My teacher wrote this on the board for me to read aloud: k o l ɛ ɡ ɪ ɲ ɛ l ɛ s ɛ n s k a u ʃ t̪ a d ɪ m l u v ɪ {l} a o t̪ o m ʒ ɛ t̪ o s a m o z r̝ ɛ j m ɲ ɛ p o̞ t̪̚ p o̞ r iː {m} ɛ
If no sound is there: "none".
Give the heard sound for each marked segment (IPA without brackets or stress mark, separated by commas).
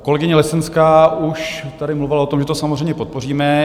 l, m